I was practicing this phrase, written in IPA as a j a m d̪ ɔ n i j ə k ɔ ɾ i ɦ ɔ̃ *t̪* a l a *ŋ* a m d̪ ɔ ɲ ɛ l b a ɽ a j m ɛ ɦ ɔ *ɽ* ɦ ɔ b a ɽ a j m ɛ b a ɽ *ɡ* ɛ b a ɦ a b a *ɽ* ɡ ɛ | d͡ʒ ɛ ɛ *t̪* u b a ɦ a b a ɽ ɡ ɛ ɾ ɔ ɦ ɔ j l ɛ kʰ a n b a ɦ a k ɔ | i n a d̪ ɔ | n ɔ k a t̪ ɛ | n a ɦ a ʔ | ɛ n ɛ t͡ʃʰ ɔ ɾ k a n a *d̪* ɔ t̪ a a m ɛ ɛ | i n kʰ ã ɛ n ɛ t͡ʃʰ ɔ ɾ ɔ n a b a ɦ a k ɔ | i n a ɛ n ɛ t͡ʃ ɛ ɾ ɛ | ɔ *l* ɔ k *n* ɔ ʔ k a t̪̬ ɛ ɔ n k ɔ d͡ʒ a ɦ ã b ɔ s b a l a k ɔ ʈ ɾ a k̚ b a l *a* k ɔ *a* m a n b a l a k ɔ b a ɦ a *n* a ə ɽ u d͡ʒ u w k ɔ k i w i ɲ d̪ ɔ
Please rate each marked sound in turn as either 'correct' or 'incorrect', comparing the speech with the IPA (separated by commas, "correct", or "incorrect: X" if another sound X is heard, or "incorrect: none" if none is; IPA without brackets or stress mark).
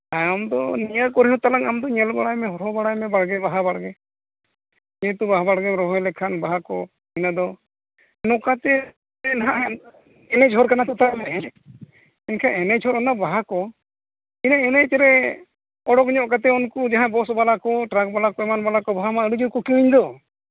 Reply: correct, correct, incorrect: ɾ, correct, correct, correct, incorrect: t̪, incorrect: ɽ, incorrect: ɲ, correct, incorrect: ɛ, incorrect: m